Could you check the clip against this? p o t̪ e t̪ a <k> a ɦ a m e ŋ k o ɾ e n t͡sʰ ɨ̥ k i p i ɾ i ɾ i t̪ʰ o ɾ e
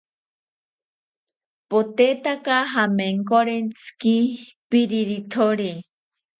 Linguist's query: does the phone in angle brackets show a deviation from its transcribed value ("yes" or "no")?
no